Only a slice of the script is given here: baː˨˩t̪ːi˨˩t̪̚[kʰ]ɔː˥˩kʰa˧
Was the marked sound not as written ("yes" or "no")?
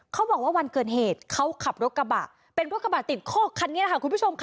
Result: no